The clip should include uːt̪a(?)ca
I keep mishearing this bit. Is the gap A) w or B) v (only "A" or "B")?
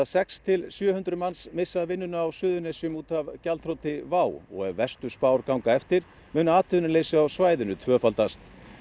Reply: B